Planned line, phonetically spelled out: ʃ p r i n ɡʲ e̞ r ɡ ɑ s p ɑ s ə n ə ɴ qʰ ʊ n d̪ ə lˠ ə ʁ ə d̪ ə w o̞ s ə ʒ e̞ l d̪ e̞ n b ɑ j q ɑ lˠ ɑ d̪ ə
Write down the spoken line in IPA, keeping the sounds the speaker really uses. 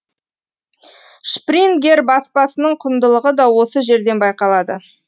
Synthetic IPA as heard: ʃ p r i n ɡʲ e̞ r b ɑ s p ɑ s ə n ə ɴ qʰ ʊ n d̪ ə lˠ ə ʁ ə d̪ ɑ w o̞ s ə ʒ e̞ ɾ d̪ e̞ n b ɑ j q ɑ lˠ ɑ d̪ ə